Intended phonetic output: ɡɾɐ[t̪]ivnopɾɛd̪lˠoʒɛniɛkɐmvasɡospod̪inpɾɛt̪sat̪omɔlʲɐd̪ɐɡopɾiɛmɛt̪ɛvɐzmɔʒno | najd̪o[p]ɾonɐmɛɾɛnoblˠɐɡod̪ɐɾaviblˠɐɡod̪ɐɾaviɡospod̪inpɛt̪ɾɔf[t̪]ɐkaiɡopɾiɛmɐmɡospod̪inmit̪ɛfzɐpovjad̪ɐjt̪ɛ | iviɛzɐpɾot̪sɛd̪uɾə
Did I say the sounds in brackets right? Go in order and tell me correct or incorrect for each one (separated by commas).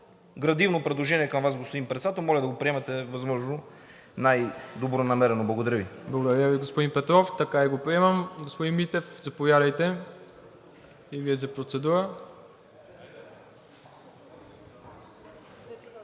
incorrect, incorrect, correct